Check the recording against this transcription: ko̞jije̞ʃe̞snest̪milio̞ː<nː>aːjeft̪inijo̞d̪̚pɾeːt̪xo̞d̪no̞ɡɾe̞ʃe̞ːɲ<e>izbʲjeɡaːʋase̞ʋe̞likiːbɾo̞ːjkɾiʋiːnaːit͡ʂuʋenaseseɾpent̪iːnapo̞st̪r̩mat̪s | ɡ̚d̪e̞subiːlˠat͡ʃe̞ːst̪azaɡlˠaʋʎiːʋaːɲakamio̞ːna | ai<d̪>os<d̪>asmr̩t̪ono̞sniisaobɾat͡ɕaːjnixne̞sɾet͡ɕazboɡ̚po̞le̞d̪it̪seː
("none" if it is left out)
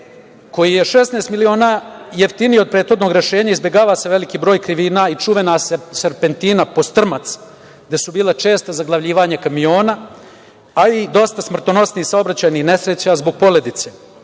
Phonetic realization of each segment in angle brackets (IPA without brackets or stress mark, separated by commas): n, a, d̪, t̪